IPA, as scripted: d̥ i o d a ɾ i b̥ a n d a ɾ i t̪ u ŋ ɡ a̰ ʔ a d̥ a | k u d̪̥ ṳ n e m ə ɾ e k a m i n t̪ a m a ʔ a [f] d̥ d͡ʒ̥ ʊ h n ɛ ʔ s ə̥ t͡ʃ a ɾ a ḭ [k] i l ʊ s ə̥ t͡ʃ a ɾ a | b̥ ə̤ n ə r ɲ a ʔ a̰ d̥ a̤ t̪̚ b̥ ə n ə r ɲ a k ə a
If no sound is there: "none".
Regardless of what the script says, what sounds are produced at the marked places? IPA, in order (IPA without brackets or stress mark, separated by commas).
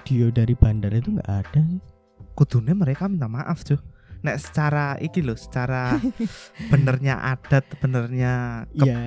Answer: f, k